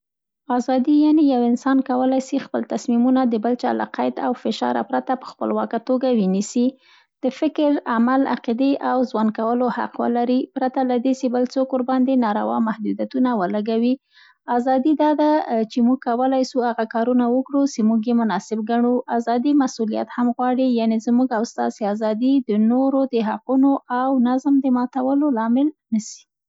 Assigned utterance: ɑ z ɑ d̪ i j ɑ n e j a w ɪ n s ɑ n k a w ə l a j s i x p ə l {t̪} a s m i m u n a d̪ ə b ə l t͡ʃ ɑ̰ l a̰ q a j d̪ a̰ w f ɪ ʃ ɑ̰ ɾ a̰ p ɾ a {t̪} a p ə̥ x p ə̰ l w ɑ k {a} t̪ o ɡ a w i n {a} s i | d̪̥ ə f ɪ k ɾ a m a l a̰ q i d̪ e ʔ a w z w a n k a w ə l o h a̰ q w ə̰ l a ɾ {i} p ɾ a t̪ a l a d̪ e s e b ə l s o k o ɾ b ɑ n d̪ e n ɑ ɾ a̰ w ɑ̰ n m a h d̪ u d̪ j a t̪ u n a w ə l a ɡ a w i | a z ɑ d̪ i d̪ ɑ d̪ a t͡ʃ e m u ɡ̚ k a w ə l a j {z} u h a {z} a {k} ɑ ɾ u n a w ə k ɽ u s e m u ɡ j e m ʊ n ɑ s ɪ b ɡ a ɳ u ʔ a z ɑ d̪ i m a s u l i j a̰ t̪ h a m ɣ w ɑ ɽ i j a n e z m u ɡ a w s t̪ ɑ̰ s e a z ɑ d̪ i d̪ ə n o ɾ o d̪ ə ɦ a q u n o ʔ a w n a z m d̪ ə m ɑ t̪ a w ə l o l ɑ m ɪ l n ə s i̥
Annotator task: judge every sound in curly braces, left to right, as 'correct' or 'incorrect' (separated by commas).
correct, correct, correct, incorrect, correct, incorrect, incorrect, correct